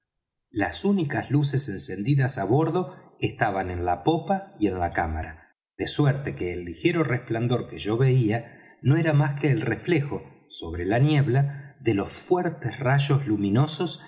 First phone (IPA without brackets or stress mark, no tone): l